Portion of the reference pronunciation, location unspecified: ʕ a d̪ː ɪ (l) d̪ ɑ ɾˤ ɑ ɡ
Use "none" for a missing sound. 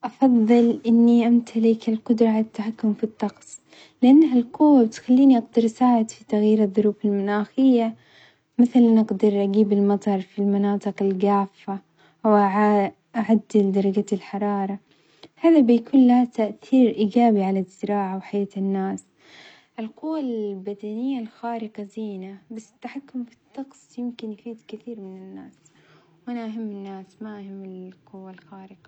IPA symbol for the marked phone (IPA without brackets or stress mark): l